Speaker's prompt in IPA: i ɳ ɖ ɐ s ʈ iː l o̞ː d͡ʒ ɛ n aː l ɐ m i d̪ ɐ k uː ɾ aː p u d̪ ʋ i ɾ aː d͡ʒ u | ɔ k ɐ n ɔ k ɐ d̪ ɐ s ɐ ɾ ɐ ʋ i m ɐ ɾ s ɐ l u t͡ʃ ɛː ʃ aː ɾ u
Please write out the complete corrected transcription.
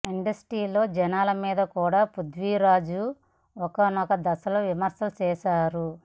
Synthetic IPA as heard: i ɳ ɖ ɐ s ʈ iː l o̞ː d͡ʒ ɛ n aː l ɐ m iː d̪ ɐ k uː ɽ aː p u d̪ ʋ i ɾ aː d͡ʒ u | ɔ k ɐ n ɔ k ɐ d̪ ɐ s ɐ l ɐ ʋ i m ɐ ɾ s ɐ l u t͡ʃ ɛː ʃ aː ɾ u